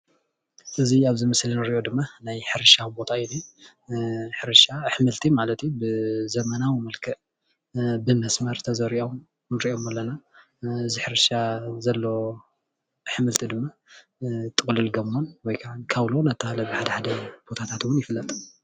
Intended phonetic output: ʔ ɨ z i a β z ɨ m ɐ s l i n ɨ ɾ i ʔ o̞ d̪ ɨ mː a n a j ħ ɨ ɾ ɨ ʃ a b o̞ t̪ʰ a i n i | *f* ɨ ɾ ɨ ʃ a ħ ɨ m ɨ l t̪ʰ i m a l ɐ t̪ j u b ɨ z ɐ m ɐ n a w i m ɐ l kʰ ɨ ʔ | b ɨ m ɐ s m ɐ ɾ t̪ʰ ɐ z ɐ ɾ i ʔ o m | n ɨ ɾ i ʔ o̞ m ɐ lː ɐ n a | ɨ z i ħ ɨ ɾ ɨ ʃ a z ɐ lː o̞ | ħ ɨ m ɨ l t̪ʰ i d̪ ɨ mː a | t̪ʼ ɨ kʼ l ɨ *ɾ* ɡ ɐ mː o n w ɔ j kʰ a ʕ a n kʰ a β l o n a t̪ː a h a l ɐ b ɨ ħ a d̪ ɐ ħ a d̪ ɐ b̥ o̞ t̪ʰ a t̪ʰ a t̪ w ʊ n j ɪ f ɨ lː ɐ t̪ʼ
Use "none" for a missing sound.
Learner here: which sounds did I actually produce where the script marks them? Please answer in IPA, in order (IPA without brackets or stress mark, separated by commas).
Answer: ħ, l